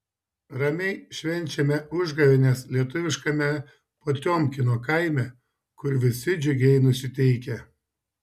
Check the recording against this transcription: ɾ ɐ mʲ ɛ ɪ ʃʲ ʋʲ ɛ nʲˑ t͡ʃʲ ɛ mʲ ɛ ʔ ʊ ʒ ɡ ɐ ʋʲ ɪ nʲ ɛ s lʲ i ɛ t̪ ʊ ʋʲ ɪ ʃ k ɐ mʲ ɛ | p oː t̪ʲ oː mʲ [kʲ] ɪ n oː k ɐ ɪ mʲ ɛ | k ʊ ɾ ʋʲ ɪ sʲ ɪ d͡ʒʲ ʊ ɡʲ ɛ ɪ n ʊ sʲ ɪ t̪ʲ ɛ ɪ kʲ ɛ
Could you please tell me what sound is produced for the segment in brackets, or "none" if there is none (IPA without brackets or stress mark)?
kʲ